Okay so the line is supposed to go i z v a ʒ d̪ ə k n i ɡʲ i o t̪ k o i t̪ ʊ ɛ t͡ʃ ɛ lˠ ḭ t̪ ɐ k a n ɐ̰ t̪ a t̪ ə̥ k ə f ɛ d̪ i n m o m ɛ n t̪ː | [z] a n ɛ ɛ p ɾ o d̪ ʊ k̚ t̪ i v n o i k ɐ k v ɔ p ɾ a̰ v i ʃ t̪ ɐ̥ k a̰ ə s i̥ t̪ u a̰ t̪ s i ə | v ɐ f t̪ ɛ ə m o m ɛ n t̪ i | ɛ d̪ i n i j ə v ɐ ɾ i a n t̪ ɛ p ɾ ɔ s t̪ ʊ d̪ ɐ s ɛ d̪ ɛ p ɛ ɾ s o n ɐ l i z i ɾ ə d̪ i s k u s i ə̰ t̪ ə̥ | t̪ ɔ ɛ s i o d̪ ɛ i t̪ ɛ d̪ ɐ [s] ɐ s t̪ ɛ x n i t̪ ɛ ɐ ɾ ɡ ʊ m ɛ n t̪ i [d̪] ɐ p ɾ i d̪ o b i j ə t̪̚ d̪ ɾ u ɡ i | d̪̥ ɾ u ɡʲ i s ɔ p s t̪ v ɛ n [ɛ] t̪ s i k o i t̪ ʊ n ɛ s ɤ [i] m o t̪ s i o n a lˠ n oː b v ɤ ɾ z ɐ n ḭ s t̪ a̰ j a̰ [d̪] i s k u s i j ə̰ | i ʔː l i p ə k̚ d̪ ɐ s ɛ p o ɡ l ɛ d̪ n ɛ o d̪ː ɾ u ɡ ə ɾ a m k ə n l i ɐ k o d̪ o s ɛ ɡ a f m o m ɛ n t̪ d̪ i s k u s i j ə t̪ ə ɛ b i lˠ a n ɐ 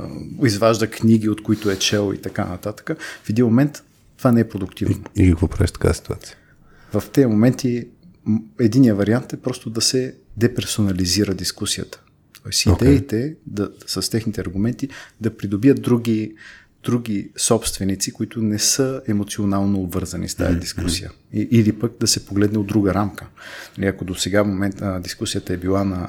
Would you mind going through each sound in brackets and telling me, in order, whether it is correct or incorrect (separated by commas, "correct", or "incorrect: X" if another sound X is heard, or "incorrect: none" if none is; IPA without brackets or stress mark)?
incorrect: v, correct, correct, incorrect: i, incorrect: ɛ, correct